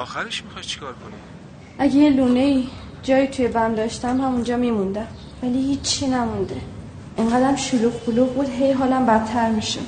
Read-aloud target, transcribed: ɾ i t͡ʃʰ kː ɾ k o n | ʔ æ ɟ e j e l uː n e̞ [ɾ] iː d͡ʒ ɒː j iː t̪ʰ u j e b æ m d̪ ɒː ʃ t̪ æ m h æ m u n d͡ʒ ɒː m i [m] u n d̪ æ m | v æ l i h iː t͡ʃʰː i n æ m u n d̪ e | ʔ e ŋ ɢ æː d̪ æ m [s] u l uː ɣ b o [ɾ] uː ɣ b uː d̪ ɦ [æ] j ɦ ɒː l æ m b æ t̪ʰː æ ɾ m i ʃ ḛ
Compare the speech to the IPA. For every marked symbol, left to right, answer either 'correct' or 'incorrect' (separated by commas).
incorrect, correct, incorrect, incorrect, incorrect